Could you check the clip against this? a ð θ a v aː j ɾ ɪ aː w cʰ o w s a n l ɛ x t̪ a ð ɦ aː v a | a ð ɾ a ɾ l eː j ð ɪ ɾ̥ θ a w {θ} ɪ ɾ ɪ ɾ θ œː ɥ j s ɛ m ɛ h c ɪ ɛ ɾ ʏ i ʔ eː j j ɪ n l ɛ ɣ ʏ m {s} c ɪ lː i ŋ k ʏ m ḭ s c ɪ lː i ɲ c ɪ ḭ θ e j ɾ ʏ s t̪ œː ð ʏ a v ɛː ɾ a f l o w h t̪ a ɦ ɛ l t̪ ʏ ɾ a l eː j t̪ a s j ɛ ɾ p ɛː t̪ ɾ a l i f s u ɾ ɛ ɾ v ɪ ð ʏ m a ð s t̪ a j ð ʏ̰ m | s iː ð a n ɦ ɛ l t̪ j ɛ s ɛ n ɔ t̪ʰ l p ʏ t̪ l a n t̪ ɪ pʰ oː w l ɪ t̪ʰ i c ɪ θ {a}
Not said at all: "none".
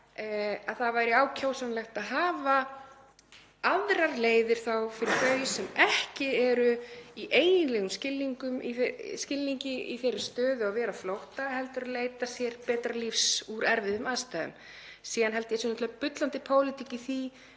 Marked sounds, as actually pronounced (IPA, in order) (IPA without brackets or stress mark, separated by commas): f, s, i